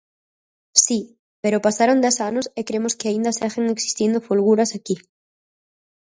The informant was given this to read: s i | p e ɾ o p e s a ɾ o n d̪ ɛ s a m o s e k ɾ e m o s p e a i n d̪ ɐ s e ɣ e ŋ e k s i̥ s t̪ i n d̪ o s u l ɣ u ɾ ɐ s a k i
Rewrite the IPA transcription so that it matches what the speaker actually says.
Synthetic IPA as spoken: s i | p e ɾ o p a s a ɾ o n d̪ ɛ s a n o s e k ɾ e m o s k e a i n d̪ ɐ s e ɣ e ŋ e k s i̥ s t̪ i n d̪ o f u l ɣ u ɾ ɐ s a k i